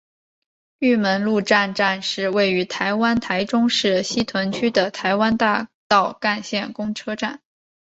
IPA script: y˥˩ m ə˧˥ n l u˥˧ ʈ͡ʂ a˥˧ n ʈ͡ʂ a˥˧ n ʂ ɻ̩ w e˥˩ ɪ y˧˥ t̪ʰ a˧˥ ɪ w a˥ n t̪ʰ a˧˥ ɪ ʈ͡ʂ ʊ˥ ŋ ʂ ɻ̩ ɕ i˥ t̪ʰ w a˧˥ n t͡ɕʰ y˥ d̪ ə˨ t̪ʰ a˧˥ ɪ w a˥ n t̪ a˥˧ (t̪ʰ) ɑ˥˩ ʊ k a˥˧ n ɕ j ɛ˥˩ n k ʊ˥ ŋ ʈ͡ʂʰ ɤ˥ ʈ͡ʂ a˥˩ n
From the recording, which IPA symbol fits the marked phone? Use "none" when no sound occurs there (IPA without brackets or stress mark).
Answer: t̪